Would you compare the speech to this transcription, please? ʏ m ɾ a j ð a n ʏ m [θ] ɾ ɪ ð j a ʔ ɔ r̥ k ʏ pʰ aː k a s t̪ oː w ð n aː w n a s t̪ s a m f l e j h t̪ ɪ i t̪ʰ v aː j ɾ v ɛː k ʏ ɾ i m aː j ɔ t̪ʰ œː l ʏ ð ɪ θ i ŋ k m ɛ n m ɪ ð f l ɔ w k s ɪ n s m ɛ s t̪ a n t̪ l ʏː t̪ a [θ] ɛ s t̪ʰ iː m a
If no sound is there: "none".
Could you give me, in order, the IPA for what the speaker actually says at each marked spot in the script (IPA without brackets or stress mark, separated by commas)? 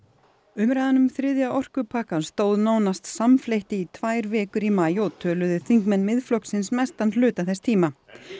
θ, θ